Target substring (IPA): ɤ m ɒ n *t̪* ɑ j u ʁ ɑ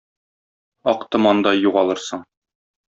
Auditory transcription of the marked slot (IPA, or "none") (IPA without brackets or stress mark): d̪